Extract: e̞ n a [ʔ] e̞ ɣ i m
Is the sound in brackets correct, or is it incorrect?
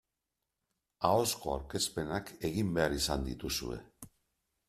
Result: incorrect